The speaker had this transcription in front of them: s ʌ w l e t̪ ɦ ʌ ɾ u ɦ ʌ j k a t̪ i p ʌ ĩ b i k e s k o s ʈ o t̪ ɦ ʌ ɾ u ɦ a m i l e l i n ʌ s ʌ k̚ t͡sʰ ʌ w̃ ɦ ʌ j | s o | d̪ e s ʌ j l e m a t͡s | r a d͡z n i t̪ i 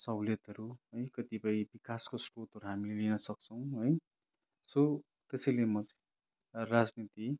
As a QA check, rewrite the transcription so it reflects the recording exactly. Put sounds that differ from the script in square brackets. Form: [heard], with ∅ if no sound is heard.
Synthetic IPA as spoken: s ʌ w l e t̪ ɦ ʌ ɾ u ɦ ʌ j k [ʌ] t̪ i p ʌ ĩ b i k [a] s k o s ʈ o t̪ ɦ ʌ ɾ u ɦ a m i l e l i n ʌ s ʌ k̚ t͡sʰ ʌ w̃ ɦ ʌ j | s o | [t̪] e s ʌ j l e m [ʌ] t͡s | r a d͡z n i t̪ i

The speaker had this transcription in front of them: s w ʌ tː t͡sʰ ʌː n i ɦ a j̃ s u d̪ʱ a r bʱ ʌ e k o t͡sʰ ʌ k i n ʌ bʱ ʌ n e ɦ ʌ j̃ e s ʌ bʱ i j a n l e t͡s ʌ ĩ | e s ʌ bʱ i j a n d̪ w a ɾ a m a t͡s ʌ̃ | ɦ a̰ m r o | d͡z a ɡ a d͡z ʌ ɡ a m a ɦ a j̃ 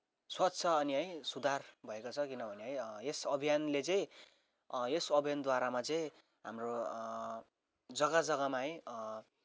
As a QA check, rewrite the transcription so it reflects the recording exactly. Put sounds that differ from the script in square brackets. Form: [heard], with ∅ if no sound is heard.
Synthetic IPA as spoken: s w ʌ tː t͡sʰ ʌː n i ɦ [ʌ] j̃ s u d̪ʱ a r bʱ ʌ e k o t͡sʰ ʌ k i n ʌ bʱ ʌ n e ɦ ʌ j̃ e s ʌ bʱ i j a n l e t͡s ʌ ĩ | e s ʌ bʱ i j a n d̪ w a ɾ a m a t͡s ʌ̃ | ɦ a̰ m r o | d͡z [ʌ] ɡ a d͡z ʌ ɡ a m a ɦ [ʌ] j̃

